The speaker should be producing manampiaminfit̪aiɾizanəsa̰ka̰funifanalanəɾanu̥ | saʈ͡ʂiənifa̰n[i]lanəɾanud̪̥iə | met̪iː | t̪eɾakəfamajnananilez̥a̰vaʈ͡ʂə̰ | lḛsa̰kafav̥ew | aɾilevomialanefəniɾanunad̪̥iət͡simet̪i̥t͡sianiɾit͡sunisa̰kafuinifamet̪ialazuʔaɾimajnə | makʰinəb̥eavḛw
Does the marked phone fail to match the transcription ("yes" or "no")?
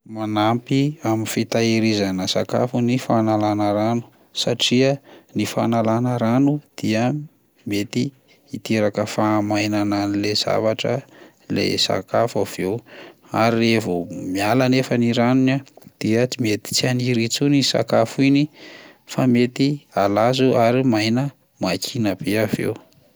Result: yes